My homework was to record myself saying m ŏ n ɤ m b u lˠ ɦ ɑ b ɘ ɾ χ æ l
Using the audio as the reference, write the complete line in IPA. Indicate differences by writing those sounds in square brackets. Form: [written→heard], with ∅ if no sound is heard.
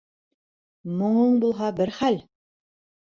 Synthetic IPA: m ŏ [n→ɴ] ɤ [m→ɴ] b u lˠ ɦ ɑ b ɘ ɾ χ æ l